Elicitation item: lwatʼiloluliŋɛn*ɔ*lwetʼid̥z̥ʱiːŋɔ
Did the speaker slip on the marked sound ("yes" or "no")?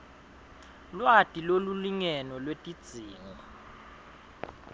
no